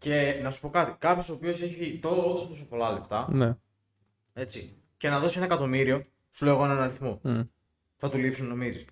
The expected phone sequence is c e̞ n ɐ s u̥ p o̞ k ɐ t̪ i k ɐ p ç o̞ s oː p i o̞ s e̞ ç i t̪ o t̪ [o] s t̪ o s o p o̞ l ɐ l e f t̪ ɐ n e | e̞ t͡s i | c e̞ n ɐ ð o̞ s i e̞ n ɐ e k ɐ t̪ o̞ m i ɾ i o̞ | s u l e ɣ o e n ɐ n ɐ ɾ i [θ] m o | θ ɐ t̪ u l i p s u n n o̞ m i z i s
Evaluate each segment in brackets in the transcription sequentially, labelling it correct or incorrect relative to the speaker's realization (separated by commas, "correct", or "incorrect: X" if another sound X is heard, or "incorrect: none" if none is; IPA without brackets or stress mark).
correct, correct